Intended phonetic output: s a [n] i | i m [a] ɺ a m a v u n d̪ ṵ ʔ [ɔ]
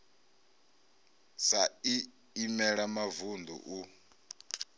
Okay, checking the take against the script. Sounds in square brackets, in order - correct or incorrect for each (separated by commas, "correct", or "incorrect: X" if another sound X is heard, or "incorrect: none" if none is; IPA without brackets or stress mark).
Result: incorrect: none, incorrect: ɛ, incorrect: u